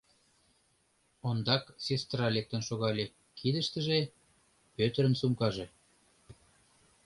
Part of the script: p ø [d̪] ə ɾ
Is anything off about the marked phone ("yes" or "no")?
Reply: yes